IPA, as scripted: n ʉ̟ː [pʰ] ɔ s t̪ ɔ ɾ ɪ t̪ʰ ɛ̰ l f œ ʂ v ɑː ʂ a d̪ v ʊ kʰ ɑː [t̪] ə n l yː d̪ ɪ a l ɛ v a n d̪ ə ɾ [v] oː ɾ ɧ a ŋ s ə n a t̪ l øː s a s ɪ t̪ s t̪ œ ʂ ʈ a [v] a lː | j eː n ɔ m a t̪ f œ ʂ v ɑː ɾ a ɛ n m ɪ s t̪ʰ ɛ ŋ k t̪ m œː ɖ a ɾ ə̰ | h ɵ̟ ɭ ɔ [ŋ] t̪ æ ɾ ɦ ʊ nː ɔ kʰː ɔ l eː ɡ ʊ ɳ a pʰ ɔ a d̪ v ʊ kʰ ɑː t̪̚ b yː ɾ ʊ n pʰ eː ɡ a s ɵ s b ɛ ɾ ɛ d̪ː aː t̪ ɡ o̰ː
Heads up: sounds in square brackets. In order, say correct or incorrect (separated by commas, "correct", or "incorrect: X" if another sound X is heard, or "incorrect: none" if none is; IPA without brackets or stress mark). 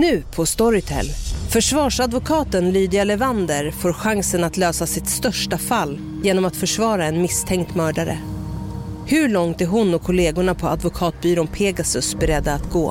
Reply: correct, correct, incorrect: f, incorrect: f, correct